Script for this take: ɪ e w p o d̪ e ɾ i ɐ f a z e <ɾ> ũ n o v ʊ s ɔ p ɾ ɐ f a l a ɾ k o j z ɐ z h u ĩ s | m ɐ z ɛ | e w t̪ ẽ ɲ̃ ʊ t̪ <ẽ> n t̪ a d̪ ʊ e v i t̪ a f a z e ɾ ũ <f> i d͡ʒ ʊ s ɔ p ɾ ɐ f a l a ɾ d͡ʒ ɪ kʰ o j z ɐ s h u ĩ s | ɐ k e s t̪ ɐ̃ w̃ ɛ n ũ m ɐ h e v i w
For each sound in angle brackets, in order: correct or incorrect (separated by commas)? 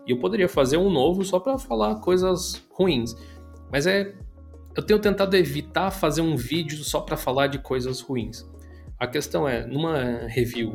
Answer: correct, correct, incorrect